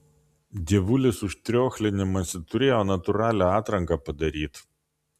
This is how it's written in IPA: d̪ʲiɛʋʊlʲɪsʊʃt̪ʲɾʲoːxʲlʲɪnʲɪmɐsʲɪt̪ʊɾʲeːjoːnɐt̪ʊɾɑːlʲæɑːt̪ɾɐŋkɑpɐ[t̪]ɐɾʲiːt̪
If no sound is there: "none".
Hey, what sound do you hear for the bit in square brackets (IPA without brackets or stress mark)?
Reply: d̪